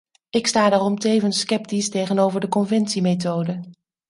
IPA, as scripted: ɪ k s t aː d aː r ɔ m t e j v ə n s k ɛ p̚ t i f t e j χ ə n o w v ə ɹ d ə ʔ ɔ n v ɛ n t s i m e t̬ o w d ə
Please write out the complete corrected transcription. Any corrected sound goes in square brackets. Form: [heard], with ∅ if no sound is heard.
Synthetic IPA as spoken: ɪ k s t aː d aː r ɔ m t e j v ə n s k ɛ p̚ t i [s] t e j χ ə n o w v ə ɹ d ə [k] ɔ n v ɛ n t s i m e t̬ o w d ə